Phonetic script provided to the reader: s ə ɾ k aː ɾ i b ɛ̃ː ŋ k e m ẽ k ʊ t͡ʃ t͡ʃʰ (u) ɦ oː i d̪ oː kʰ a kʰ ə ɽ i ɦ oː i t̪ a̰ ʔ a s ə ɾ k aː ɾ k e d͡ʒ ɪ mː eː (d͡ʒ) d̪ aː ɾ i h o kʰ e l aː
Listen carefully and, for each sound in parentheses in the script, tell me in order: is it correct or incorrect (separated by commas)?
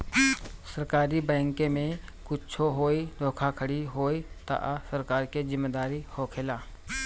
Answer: incorrect, incorrect